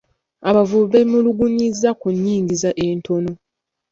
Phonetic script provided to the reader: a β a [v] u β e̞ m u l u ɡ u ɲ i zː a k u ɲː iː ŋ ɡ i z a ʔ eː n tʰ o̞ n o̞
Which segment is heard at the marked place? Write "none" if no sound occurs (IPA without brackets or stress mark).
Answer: v